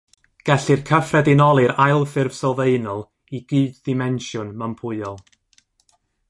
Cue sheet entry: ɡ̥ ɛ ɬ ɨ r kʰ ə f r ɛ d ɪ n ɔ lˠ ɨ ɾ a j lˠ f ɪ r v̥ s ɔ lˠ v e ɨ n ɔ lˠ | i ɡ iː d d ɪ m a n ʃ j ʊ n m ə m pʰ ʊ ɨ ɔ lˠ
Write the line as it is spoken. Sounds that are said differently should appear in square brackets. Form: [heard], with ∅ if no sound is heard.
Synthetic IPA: ɡ̥ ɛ ɬ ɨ r kʰ ə f r ɛ d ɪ n ɔ lˠ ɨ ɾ a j lˠ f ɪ r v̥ s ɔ lˠ v e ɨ n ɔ lˠ | i ɡ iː d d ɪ m [ɛ] n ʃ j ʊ n m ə m pʰ ʊ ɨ ɔ lˠ